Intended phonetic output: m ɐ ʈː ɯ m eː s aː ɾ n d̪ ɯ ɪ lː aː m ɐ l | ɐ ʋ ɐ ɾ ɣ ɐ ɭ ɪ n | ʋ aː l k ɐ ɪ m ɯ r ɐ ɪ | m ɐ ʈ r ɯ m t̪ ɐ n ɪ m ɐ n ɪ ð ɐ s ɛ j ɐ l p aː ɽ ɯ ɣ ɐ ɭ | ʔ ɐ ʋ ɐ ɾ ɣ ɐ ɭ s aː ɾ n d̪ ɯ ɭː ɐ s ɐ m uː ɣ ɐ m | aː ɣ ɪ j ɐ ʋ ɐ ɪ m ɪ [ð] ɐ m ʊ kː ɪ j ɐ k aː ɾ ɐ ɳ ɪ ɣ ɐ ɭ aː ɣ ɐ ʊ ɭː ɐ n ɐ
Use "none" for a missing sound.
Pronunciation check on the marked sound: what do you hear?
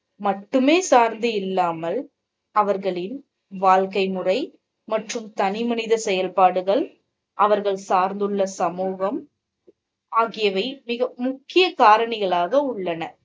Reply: ɣ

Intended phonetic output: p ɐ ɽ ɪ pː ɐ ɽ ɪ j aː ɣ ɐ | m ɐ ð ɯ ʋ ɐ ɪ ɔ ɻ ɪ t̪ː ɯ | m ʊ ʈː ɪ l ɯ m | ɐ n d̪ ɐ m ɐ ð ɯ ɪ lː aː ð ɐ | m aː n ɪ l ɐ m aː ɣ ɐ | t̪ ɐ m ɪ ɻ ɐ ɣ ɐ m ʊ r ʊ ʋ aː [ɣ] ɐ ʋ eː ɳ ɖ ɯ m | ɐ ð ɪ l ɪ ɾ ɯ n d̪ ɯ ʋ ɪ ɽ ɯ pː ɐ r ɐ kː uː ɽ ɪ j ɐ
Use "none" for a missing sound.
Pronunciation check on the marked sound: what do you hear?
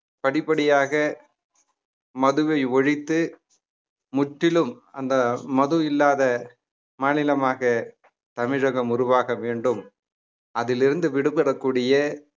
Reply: ɣ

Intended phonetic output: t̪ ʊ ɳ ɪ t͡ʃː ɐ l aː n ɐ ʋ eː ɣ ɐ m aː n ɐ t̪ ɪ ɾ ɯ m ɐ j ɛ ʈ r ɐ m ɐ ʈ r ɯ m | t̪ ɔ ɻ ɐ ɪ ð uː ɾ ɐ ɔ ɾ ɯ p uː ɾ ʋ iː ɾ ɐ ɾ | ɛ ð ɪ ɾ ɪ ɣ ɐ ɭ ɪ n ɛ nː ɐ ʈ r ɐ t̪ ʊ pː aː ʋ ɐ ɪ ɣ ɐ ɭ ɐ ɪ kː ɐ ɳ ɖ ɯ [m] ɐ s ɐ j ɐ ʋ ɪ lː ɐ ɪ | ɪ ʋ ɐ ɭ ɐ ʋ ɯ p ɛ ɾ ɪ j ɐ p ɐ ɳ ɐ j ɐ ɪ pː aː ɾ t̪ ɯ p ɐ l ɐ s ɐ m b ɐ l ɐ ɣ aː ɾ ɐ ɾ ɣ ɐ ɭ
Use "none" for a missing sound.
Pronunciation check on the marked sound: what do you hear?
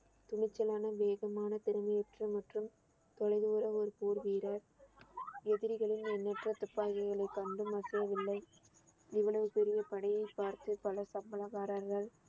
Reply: m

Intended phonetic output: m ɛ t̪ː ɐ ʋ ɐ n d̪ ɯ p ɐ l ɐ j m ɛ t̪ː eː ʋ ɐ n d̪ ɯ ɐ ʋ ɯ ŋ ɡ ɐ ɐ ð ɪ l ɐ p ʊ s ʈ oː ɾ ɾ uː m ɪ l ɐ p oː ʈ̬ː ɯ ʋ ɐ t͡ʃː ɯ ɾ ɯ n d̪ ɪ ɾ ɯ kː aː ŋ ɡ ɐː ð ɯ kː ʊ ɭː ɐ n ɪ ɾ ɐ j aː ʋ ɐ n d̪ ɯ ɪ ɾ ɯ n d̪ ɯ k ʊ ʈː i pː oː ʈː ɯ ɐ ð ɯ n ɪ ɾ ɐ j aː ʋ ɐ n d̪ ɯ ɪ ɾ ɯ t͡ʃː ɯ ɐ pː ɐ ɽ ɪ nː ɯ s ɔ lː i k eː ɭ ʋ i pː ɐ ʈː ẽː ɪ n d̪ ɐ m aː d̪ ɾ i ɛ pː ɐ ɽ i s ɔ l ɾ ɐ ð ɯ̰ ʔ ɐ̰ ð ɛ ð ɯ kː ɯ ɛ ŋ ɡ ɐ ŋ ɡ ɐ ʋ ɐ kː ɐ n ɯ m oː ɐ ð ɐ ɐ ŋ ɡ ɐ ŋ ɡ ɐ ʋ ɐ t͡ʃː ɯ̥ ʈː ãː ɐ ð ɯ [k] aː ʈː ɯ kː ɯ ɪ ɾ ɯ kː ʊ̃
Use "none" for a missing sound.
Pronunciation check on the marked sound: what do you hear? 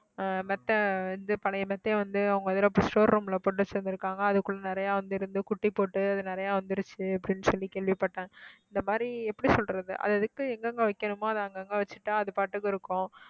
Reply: p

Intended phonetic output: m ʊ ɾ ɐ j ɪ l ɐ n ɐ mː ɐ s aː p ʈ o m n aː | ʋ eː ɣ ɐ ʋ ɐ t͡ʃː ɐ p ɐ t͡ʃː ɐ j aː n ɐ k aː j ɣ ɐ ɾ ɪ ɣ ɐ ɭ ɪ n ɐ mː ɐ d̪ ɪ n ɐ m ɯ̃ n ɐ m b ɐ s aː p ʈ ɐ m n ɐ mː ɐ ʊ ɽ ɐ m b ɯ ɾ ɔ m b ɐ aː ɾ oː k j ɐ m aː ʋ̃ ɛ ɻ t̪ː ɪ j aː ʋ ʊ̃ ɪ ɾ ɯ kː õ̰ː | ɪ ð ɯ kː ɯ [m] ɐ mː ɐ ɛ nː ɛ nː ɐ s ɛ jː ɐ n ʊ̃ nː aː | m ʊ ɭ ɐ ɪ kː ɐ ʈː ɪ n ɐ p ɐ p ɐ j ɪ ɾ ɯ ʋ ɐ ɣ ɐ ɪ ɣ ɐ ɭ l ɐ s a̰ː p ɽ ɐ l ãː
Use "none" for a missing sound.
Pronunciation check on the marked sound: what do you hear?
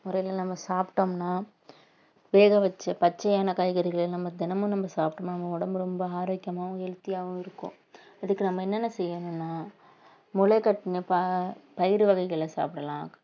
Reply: n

